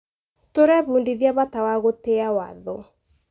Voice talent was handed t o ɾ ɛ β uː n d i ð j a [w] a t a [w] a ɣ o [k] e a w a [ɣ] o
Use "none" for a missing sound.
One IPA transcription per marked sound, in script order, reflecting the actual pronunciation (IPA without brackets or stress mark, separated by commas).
β, w, t, ð